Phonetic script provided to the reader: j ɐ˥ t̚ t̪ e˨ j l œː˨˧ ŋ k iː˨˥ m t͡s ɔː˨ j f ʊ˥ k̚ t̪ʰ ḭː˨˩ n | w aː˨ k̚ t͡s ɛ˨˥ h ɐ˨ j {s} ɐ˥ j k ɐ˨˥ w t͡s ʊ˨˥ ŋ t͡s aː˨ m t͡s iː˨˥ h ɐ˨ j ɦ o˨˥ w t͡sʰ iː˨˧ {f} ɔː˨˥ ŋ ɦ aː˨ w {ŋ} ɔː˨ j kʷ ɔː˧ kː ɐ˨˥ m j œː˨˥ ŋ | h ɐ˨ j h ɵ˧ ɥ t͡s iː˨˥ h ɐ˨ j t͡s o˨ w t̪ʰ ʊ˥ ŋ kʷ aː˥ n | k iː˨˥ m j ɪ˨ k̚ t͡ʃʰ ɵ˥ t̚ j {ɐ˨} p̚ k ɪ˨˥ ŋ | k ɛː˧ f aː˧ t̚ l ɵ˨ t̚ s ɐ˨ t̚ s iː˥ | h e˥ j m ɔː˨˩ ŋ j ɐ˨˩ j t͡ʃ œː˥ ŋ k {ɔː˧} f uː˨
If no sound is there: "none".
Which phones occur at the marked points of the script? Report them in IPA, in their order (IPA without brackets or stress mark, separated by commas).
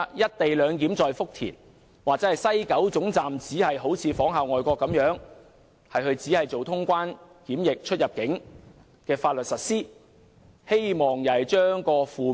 s, f, ŋ, ɐ˨, ɔː˧